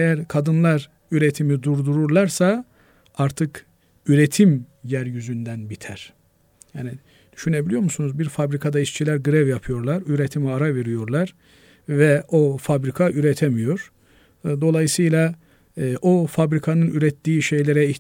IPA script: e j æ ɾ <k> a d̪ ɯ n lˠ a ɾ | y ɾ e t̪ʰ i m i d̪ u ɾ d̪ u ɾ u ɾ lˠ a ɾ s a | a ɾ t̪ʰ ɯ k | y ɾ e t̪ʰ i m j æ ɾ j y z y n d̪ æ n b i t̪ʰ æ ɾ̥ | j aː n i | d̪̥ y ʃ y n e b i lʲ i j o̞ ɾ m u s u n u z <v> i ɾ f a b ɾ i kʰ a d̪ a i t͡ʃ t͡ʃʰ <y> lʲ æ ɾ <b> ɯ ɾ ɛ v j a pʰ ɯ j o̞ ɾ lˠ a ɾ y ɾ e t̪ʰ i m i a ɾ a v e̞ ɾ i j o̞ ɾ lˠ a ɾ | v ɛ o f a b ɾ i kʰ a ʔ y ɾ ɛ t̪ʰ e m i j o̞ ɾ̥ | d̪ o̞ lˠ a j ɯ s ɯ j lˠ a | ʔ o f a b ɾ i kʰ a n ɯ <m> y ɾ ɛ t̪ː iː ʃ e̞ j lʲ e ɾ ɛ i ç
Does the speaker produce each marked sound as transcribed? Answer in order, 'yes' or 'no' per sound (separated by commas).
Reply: no, no, no, no, no